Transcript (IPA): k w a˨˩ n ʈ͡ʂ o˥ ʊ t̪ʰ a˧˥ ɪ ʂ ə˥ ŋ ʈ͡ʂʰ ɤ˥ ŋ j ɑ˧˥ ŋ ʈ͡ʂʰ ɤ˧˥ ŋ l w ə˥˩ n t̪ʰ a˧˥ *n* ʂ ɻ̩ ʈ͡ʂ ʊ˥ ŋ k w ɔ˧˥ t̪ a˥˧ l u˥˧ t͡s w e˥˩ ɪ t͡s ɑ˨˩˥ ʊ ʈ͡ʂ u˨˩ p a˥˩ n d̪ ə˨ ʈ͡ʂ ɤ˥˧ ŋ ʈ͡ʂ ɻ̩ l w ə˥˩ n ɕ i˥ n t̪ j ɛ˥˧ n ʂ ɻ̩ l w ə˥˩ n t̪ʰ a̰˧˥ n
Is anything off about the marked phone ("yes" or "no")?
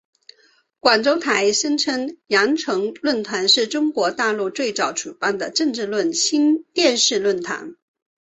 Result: no